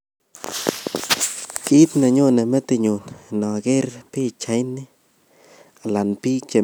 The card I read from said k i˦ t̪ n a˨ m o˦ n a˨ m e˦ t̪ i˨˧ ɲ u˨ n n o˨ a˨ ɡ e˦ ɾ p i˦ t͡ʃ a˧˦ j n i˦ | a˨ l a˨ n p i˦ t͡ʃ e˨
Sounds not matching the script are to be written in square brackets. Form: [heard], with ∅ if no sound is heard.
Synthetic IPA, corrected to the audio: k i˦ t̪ n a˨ [ɲ] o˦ n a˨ m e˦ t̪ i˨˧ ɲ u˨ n n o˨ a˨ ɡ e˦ ɾ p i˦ t͡ʃ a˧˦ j n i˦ | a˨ l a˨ n p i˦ t͡ʃ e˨